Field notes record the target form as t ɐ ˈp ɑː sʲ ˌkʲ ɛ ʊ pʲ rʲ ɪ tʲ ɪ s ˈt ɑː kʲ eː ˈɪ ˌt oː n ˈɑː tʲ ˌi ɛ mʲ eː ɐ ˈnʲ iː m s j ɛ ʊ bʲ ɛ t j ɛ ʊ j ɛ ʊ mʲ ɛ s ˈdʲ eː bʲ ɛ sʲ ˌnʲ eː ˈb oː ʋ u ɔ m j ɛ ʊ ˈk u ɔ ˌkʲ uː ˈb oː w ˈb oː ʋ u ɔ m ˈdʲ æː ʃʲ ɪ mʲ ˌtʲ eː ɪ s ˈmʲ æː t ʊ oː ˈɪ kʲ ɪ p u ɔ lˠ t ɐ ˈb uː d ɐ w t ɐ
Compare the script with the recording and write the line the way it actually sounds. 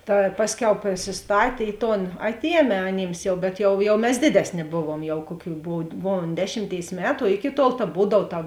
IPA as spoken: t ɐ ˈp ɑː sʲ ˌkʲ ɛ ʊ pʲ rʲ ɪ sʲ ɪ s ˈt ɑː tʲ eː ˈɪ ˌt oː n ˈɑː tʲ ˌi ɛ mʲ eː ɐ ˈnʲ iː m s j ɛ ʊ bʲ ɛ t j ɛ ʊ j ɛ ʊ mʲ ɛ s ˈdʲ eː dʲ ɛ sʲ ˌnʲ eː ˈb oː ʋ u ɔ m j ɛ ʊ ˈk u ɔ ˌkʲ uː ˈb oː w ˈb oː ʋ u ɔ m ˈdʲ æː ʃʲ ɪ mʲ ˌtʲ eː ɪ s ˈmʲ æː t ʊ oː ˈɪ kʲ ɪ t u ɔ lˠ t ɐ ˈb uː d ɐ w t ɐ

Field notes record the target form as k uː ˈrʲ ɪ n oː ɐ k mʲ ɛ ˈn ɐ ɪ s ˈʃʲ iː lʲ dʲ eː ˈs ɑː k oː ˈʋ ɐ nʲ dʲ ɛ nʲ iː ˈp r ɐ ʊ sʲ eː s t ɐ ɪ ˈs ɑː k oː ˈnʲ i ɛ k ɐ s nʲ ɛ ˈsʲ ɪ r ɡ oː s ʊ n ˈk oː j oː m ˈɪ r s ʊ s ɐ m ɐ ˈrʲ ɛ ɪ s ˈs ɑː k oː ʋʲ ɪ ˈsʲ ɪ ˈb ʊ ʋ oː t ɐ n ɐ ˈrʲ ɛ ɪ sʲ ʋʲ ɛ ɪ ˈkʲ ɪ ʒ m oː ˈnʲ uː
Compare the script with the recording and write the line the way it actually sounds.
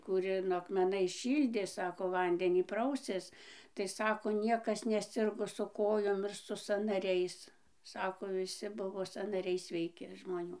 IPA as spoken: k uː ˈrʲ ɪ n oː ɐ k mʲ ɛ ˈn ɐ ɪ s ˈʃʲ iː lʲ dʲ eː ˈs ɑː k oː ˈʋ ɐ nʲ dʲ ɛ nʲ iː ˈp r ɐ ʊ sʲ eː s t ɐ ɪ ˈs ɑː k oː ˈnʲ i ɛ k ɐ s nʲ ɛ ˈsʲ ɪ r ɡ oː s ʊ ˈk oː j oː m ˈɪ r s ʊ s ɐ n ɐ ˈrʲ ɛ ɪ s ˈs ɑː k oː ʋʲ ɪ ˈsʲ ɪ ˈb ʊ ʋ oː s ɐ n ɐ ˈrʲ ɛ ɪ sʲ ʋʲ ɛ ɪ ˈkʲ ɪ ʒ m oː ˈnʲ uː

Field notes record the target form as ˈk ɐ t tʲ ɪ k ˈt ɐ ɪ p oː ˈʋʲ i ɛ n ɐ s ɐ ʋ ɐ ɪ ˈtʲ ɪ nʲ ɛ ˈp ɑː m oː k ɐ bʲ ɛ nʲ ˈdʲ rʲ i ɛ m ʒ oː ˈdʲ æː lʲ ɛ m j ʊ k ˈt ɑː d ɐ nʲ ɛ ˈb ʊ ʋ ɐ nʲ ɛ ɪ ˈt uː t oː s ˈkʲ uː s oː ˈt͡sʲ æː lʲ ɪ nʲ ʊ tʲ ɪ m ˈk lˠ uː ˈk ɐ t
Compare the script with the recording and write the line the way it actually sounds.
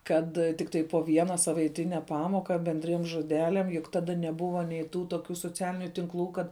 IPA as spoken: ˈk ɐ t tʲ ɪ k ˈt ɐ ɪ p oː ˈʋʲ i ɛ n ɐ s ɐ ʋ ɐ ɪ ˈtʲ ɪ nʲ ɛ ˈp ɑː m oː k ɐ bʲ ɛ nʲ ˈdʲ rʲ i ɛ m ʒ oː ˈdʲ æː lʲ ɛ m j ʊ k ˈt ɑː d ɐ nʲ ɛ ˈb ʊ ʋ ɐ nʲ ɛ ɪ ˈt uː t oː ˈkʲ uː s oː ˈt͡sʲ æː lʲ ɪ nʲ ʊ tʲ ɪ ŋ ˈk lˠ uː ˈk ɐ t

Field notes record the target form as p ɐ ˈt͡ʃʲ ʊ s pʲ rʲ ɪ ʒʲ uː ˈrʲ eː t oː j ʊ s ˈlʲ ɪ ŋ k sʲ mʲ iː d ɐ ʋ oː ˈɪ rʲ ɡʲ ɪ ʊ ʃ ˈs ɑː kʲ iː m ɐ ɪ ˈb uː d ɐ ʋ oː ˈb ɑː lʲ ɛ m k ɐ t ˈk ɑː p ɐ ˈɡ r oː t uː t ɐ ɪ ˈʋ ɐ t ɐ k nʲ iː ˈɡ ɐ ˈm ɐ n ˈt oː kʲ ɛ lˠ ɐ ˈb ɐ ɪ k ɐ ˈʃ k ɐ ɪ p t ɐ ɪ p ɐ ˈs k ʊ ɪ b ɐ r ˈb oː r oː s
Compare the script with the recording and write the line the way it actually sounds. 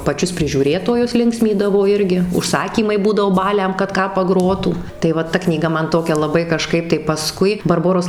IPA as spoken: p ɐ ˈt͡ʃʲ ʊ s pʲ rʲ ɪ ʒʲ uː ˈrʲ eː t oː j ʊ s ˈlʲ ɪ ŋ k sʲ mʲ iː d ɐ ʋ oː ˈɪ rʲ ɡʲ ɪ ʊ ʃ ˈs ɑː kʲ iː m ɐ ɪ ˈb uː d ɐ ʋ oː ˈb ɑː lʲ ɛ m k ɐ t ˈk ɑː p ɐ ˈɡ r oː t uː t ɐ ɪ ˈʋ ɐ t ɐ k nʲ iː ˈɡ ɐ ˈm ɐ n ˈt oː kʲ ɛ lˠ ɐ ˈb ɐ ɪ k ɐ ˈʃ k ɐ ɪ p t ɐ ɪ p ɐ ˈs k ʊ ɪ b ɐ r ˈb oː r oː s

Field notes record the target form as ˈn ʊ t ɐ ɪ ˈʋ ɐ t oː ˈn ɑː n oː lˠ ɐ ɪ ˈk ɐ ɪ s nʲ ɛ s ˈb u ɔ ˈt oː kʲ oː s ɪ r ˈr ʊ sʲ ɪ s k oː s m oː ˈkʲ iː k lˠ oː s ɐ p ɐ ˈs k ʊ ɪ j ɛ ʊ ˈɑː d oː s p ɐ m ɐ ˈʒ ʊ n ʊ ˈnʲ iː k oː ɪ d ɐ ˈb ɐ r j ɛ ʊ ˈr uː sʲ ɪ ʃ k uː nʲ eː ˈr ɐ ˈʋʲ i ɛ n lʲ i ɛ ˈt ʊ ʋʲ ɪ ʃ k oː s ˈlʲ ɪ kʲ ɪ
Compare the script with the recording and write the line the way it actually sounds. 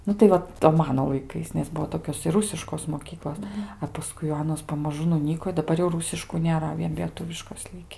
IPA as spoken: ˈn ʊ t ɐ ɪ ˈʋ ɐ t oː ˈm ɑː n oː lˠ ɐ ɪ ˈk ɐ ɪ s nʲ ɛ s ˈb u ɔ ˈt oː kʲ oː s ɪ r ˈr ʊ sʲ ɪ ʃ k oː s m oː ˈkʲ iː k lˠ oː s ɐ p ɐ ˈs k ʊ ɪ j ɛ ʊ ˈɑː n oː s p ɐ m ɐ ˈʒ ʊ n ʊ ˈnʲ iː k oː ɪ d ɐ ˈb ɐ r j ɛ ʊ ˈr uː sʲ ɪ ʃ k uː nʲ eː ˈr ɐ ˈʋʲ i ɛ n lʲ i ɛ ˈt ʊ ʋʲ ɪ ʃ k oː s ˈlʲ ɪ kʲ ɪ

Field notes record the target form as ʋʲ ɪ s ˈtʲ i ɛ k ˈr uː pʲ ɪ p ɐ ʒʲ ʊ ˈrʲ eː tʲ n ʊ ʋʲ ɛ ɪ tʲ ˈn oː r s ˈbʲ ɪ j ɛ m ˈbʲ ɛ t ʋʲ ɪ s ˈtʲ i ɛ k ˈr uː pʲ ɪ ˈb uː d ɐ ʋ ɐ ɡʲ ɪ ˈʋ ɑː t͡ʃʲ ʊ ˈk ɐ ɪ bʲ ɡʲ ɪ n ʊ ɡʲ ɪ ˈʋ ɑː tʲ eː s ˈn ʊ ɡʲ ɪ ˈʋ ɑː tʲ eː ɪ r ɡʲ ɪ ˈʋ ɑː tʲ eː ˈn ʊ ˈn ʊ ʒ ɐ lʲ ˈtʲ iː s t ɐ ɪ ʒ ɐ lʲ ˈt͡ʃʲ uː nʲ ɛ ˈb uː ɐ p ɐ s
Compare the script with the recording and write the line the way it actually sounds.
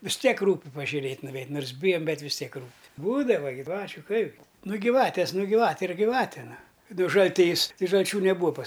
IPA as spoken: ʋʲ ɪ s ˈtʲ i ɛ k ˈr uː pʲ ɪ p ɐ ʒʲ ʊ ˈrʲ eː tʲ n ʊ ʋʲ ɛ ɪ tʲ ˈn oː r s ˈbʲ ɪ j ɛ m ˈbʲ ɛ t ʋʲ ɪ s ˈtʲ i ɛ k ˈr uː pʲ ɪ ˈb uː d ɐ ʋ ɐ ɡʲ ɪ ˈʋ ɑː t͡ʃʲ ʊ ˈk ɐ ɪ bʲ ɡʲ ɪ n ʊ ɡʲ ɪ ˈʋ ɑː tʲ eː s ˈn ʊ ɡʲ ɪ ˈʋ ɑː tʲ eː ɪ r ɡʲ ɪ ˈʋ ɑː tʲ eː ˈn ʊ ˈn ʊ ʒ ɐ lʲ ˈtʲ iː s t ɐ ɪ ʒ ɐ lʲ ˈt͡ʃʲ uː nʲ ɛ ˈb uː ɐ p ɐ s

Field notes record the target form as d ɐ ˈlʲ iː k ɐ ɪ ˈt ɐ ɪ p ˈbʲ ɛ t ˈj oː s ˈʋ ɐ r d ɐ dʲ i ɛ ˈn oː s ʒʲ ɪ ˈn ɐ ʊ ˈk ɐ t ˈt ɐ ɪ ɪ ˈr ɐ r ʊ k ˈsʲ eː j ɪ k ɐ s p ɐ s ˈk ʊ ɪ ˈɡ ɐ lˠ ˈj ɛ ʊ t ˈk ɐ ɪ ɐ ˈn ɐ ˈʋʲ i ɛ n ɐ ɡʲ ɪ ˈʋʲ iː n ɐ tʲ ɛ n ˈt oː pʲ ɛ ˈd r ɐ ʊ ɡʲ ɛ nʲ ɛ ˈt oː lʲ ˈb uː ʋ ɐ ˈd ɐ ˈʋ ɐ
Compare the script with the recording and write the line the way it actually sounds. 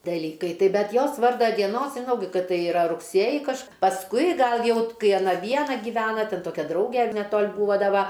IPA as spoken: d ɐ ˈlʲ iː k ɐ ɪ ˈt ɐ ɪ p ˈbʲ ɛ t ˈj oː s ˈʋ ɐ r d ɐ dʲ i ɛ ˈn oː s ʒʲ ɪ ˈn ɐ ʊ ˈk ɐ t ˈt ɐ ɪ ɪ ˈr ɐ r ʊ k ˈsʲ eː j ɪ k ɐ ʃ p ɐ s ˈk ʊ ɪ ˈɡ ɐ lˠ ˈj ɛ ʊ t ˈk ɐ ɪ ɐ ˈn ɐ ˈʋʲ i ɛ n ɐ ɡʲ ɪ ˈʋʲ æː n ɐ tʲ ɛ n ˈt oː kʲ ɛ ˈd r ɐ ʊ ɡʲ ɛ nʲ ɛ ˈt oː lʲ ˈb uː ʋ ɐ ˈd ɐ ˈʋ ɐ

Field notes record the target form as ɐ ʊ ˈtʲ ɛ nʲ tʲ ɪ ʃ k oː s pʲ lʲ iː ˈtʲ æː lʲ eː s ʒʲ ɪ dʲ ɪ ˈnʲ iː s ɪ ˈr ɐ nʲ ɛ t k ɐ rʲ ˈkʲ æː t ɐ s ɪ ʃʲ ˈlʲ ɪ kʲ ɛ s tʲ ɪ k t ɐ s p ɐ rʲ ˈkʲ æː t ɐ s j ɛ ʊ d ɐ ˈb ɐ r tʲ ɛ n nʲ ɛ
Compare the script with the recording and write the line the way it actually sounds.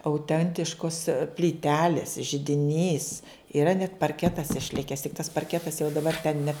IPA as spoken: ɐ ʊ ˈtʲ ɛ nʲ tʲ ɪ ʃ k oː s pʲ lʲ iː ˈtʲ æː lʲ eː s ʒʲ ɪ dʲ ɪ ˈnʲ iː s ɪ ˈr ɐ nʲ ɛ t p ɐ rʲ ˈkʲ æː t ɐ s ɪ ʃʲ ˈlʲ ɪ kʲ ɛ s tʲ ɪ k t ɐ s p ɐ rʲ ˈkʲ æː t ɐ s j ɛ ʊ d ɐ ˈb ɐ r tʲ ɛ n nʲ ɛ

